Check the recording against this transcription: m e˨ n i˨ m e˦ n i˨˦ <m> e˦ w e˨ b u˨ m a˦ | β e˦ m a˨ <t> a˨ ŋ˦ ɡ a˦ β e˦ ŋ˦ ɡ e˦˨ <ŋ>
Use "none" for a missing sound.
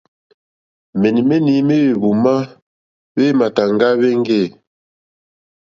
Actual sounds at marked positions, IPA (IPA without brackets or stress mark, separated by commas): m, t, none